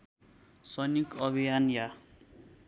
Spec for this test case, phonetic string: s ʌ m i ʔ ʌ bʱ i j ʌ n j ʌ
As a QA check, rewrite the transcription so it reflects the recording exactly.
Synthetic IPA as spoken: s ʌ n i k ʌ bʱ i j a n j a